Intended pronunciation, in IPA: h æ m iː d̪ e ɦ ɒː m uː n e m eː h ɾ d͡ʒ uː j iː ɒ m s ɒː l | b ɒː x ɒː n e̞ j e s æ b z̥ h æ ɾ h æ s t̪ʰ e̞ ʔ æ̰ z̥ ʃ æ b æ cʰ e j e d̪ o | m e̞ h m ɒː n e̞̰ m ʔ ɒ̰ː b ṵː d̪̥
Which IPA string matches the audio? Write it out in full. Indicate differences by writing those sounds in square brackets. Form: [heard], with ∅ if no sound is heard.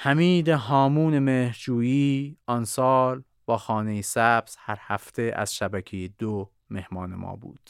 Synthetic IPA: h æ m iː d̪ e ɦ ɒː m uː n e m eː h ɾ d͡ʒ uː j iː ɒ [n] s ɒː l | b ɒː x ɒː n e̞ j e s æ b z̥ h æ ɾ h æ [f] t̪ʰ e̞ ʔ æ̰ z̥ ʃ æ b æ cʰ e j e d̪ o | m e̞ h m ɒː n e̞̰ m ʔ ɒ̰ː b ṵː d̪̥